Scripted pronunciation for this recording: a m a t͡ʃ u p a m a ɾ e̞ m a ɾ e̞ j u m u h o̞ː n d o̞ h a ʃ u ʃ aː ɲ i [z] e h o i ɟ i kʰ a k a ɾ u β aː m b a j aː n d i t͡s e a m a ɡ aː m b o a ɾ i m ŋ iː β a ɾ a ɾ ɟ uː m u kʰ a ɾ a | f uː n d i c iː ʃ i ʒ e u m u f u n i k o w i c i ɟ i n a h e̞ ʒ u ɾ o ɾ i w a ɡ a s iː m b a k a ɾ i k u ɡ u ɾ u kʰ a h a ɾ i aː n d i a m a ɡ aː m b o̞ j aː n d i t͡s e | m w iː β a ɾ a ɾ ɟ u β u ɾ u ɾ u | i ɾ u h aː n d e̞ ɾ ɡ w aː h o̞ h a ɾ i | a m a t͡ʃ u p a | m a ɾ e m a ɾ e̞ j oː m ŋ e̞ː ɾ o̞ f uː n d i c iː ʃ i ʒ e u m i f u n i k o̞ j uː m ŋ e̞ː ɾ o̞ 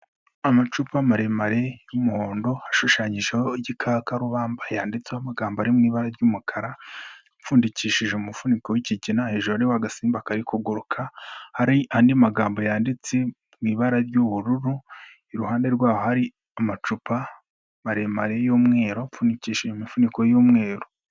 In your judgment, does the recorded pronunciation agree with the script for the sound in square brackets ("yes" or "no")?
no